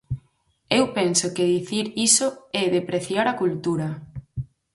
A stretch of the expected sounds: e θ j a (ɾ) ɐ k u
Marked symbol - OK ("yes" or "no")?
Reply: yes